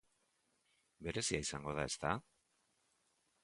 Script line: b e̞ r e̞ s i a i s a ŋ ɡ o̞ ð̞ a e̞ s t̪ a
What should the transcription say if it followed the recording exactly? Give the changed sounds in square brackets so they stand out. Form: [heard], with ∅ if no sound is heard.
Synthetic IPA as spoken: b e̞ [ɾ] e̞ s i a i s a ŋ ɡ o̞ ð̞ a e̞ s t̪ a